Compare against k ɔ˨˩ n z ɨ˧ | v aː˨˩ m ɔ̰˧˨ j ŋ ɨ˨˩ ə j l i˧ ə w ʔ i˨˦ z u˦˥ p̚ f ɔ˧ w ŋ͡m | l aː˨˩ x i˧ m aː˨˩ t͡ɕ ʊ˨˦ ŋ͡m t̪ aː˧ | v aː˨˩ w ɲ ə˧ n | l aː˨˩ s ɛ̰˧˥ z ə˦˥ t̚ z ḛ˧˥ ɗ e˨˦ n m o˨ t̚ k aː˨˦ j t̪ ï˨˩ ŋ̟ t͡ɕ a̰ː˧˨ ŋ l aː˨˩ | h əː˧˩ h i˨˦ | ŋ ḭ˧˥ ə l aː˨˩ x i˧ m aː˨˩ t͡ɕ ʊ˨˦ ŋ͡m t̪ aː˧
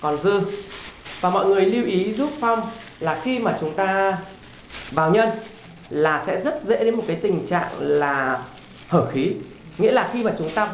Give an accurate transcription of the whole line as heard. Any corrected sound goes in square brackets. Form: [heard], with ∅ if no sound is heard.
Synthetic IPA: k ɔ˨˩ n z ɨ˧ | v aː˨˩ m ɔ̰˧˨ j ŋ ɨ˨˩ ə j l i˧ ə w ʔ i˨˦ z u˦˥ p̚ f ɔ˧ w ŋ͡m | l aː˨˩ x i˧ m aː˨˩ t͡ɕ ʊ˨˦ ŋ͡m t̪ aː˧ | v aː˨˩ w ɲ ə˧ n | l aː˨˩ s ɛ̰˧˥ z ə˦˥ t̚ z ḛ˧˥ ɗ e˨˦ n m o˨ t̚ k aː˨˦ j t̪ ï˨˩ ŋ̟ t͡ɕ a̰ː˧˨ ŋ l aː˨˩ | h əː˧˩ [x] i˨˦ | ŋ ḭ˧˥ ə l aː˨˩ x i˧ m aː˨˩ t͡ɕ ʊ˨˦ ŋ͡m t̪ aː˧